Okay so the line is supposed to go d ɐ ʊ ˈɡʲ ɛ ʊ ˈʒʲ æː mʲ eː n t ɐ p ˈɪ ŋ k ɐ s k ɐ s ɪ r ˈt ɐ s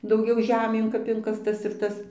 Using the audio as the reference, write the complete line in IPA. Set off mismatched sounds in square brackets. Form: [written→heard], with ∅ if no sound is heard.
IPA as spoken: d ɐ ʊ ˈɡʲ ɛ ʊ ˈʒʲ æː mʲ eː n [t→k] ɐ p ˈɪ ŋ k ɐ s [k→t] ɐ s ɪ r ˈt ɐ s

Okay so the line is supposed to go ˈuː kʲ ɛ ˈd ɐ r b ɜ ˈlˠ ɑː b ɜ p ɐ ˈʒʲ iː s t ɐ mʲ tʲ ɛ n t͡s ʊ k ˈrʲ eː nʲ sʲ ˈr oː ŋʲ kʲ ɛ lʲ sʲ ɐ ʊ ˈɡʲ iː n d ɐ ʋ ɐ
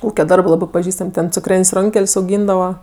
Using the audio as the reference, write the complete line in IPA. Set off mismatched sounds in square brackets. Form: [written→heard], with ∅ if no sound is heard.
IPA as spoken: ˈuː kʲ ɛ ˈd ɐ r b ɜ ˈlˠ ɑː b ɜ p ɐ ˈʒʲ iː s t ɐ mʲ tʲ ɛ n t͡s ʊ k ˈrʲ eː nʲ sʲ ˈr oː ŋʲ kʲ ɛ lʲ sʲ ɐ ʊ ˈɡʲ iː n d ɐ ʋ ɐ

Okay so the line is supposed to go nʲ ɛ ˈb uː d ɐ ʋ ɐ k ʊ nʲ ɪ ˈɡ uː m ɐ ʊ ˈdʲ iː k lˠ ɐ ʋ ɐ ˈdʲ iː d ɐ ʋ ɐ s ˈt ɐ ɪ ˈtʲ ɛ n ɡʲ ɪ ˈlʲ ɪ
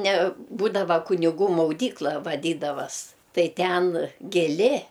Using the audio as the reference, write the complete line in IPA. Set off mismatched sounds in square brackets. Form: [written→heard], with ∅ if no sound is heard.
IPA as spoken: nʲ ɛ ˈb uː d ɐ ʋ ɐ k ʊ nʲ ɪ ˈɡ uː m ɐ ʊ ˈdʲ iː k lˠ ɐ ʋ ɐ ˈdʲ iː d ɐ ʋ ɐ s ˈt ɐ ɪ ˈtʲ ɛ n ɡʲ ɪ ˈlʲ ɪ

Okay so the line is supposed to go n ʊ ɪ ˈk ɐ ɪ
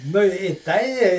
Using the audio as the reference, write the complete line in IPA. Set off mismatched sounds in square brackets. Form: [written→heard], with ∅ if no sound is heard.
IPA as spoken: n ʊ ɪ [ˈk→ˈt] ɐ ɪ

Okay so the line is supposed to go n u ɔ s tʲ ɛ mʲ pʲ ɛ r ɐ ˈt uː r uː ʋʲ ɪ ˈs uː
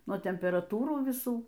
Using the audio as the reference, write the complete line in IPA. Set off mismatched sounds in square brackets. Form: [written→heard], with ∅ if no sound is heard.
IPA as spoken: n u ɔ [s→∅] tʲ ɛ mʲ pʲ ɛ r ɐ ˈt uː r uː ʋʲ ɪ ˈs uː

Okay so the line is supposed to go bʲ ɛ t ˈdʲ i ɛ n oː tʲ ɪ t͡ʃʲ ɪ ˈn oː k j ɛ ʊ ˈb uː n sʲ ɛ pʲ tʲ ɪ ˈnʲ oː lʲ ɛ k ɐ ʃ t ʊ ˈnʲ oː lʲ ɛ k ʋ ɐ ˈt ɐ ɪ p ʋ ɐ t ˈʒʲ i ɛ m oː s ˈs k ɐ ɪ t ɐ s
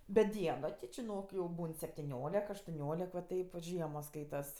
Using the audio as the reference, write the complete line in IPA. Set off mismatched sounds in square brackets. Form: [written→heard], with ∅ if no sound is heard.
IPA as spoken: bʲ ɛ t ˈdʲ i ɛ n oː tʲ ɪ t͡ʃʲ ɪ ˈn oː k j ɛ ʊ ˈb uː n sʲ ɛ pʲ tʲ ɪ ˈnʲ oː lʲ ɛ k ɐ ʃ t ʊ ˈnʲ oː lʲ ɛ k ʋ ɐ ˈt ɐ ɪ p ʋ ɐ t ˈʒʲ i ɛ m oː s ˈs k ɐ ɪ t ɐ s

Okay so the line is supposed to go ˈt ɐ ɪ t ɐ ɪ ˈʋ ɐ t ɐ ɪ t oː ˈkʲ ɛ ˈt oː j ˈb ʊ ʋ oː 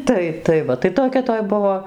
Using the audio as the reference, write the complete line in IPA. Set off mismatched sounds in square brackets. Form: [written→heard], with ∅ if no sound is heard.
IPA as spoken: ˈt ɐ ɪ t ɐ ɪ ˈʋ ɐ t ɐ ɪ t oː ˈkʲ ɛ ˈt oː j ˈb ʊ ʋ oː

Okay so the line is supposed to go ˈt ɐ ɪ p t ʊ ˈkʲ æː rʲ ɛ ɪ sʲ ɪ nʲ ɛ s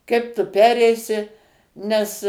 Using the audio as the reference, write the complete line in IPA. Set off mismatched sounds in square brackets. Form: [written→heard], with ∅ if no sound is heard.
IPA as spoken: [ˈt→ˈk] ɐ ɪ p t ʊ [ˈkʲ→ˈpʲ] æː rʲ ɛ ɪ sʲ ɪ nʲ ɛ s

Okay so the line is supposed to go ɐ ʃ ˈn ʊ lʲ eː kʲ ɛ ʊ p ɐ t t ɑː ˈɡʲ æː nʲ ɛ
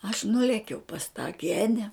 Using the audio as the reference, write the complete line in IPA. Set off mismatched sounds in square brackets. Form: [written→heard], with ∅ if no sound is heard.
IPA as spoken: ɐ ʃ ˈn ʊ lʲ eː kʲ ɛ ʊ p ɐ [t→s] t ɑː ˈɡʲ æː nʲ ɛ

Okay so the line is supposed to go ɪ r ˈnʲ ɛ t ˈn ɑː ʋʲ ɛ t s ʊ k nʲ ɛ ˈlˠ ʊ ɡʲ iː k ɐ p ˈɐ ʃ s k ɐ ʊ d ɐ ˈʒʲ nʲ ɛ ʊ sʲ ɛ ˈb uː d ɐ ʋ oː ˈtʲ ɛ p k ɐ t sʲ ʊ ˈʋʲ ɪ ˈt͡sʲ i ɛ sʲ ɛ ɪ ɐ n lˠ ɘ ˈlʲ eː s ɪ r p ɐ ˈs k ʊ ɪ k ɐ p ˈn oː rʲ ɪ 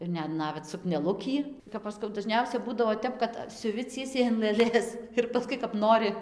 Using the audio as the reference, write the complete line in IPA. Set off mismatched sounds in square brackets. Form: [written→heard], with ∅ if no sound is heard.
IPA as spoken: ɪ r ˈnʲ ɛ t ˈn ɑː ʋʲ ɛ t s ʊ k nʲ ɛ ˈlˠ ʊ [ɡʲ→kʲ] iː k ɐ p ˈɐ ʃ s k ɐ ʊ d ɐ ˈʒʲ nʲ ɛ ʊ sʲ ɛ ˈb uː d ɐ ʋ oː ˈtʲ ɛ p k ɐ t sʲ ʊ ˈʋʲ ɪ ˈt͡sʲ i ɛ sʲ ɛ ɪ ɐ n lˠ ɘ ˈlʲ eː s ɪ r p ɐ ˈs k ʊ ɪ k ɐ p ˈn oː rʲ ɪ

